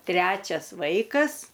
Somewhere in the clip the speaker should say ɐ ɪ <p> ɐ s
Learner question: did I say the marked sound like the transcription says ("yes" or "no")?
no